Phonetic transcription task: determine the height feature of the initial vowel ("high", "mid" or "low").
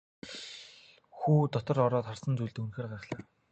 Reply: high